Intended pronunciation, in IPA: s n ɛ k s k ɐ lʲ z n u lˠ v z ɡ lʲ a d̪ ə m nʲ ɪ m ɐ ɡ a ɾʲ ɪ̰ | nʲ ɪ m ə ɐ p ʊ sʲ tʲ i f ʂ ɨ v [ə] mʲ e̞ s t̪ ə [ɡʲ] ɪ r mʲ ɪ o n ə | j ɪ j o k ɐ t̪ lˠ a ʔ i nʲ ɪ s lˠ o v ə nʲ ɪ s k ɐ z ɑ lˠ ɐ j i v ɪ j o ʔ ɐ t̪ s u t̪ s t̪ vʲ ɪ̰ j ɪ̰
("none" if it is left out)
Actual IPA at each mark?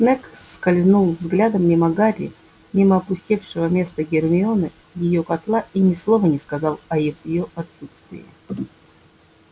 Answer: ə, ɡʲ

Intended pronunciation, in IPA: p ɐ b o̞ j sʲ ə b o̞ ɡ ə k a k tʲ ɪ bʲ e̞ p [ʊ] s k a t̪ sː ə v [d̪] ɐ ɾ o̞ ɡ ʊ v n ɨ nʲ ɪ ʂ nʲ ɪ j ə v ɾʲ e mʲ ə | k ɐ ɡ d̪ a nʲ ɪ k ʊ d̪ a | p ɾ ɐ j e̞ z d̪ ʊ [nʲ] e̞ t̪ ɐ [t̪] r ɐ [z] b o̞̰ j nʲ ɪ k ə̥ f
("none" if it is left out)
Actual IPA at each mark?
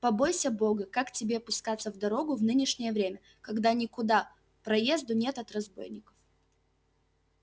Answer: ʊ, d̪, nʲ, t̪, z

